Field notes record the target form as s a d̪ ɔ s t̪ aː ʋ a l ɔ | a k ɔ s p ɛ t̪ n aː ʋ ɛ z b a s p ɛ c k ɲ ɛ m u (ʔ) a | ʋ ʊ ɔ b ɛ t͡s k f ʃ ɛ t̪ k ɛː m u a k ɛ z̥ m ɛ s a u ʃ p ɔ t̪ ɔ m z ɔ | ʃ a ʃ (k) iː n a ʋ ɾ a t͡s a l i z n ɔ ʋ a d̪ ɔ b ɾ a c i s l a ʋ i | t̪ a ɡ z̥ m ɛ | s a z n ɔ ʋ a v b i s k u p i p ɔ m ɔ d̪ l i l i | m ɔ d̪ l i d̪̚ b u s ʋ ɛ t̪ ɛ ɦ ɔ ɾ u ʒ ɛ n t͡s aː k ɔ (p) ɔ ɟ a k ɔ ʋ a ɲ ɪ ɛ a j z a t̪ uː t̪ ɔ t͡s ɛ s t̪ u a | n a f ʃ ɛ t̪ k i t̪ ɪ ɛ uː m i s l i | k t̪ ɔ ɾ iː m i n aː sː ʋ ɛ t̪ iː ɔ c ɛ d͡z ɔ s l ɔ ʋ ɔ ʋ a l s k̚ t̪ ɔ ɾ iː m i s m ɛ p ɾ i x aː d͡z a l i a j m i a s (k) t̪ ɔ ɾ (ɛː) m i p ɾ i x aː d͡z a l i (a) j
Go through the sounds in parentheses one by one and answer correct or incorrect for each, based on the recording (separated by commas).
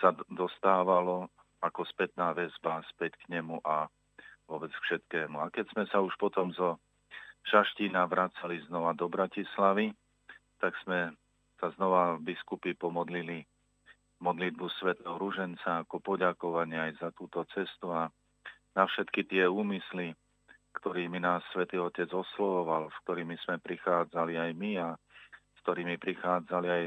correct, incorrect, correct, correct, incorrect, correct